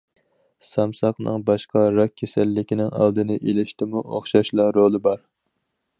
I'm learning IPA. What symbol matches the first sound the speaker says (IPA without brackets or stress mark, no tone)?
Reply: s